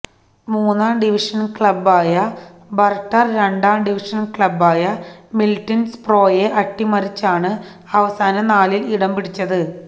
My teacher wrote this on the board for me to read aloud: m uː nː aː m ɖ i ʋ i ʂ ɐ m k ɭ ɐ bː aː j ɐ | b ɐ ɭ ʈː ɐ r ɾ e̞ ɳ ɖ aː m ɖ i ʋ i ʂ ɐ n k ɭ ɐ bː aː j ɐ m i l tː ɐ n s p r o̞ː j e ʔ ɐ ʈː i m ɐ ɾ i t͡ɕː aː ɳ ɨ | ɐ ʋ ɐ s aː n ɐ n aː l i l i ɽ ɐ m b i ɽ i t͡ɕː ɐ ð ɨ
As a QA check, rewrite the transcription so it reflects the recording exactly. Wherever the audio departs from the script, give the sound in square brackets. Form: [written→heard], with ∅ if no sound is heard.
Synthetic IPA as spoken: m uː nː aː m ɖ i ʋ i ʂ ɐ [m→n] k ɭ ɐ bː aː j ɐ | b ɐ [ɭ→r] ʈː ɐ r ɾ e̞ ɳ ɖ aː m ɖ i ʋ i ʂ ɐ n k ɭ ɐ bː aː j ɐ m i l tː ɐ n s p r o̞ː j e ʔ ɐ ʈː i m ɐ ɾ i t͡ɕː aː ɳ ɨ | ɐ ʋ ɐ s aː n ɐ n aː l i l i ɽ ɐ m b i ɽ i t͡ɕː ɐ ð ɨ

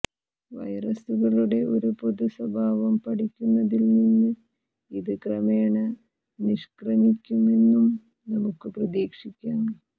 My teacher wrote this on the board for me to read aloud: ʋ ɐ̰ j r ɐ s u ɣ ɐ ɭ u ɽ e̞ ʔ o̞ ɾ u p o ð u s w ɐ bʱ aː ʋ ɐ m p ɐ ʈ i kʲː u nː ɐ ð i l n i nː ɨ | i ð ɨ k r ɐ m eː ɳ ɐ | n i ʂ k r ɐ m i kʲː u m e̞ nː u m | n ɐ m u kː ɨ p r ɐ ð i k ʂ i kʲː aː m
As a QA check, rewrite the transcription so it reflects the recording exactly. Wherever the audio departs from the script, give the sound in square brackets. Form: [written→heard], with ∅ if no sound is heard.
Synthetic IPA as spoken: ʋ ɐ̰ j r ɐ s u ɣ ɐ ɭ u ɽ e̞ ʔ o̞ ɾ u p o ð u s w ɐ bʱ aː ʋ ɐ m p ɐ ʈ i kʲː u nː ɐ ð i l n i nː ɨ | i ð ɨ k r ɐ m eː ɳ ɐ | n i ʂ k r ɐ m i kʲː u m e̞ nː u m | n ɐ m u kː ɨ p r ɐ ð [i→iː] k ʂ i kʲː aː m

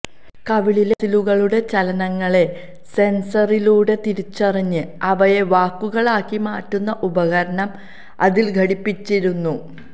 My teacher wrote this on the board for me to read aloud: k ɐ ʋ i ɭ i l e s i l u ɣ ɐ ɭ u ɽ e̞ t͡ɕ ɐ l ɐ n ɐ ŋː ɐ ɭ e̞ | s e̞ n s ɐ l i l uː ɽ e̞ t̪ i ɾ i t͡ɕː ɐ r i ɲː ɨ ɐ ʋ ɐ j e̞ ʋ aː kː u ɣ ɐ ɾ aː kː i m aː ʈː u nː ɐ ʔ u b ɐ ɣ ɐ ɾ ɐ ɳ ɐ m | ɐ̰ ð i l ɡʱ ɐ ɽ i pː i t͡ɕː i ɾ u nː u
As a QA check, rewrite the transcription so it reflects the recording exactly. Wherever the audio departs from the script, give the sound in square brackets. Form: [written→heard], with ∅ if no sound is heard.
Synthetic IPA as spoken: k ɐ ʋ i ɭ i l e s i l u ɣ ɐ ɭ u ɽ e̞ t͡ɕ ɐ l ɐ n ɐ ŋː ɐ ɭ e̞ | s e̞ n s ɐ [l→r] i l uː ɽ e̞ t̪ i ɾ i t͡ɕː ɐ r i ɲː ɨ ɐ ʋ ɐ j e̞ ʋ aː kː u ɣ ɐ [ɾ→ɭ] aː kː i m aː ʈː u nː ɐ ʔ u b ɐ ɣ ɐ ɾ ɐ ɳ ɐ m | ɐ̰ ð i l ɡʱ ɐ ɽ i pː i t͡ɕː i ɾ u nː u

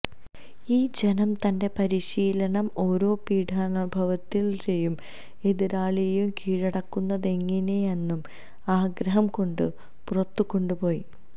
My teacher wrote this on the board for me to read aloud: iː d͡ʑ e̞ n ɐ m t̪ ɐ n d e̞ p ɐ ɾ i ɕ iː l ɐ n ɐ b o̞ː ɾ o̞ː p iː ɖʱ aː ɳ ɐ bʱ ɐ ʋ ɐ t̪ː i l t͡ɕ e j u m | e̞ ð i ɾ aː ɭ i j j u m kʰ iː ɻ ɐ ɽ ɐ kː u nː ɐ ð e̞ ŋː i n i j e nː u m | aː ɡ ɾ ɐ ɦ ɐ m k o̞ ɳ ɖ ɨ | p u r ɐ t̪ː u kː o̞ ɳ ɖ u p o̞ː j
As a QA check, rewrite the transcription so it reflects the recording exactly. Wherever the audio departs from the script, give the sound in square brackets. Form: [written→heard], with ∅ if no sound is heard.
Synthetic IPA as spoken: iː d͡ʑ e̞ n ɐ m t̪ ɐ n d e̞ p ɐ ɾ i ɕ iː l ɐ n ɐ [b→m] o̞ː ɾ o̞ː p iː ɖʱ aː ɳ ɐ bʱ ɐ ʋ ɐ t̪ː i l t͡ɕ e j u m | e̞ ð i ɾ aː ɭ i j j u m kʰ iː ɻ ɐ ɽ ɐ kː u nː ɐ ð e̞ ŋː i n [i→e] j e nː u m | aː ɡ ɾ ɐ ɦ ɐ m k o̞ ɳ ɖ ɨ | p u r ɐ t̪ː u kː o̞ ɳ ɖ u p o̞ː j

